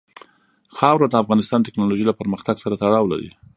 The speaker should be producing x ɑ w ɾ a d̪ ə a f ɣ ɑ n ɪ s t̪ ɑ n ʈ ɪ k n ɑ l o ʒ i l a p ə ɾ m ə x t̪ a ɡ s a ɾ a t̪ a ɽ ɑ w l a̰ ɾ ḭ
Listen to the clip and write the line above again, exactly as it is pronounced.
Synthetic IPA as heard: x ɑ w ɾ a d̪ ə a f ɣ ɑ n ɪ s t̪ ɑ n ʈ ɪ k n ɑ l o ʒ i l a p ə ɾ m ə x t̪ a ɡ s a ɾ a t̪ a ɽ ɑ w l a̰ ɾ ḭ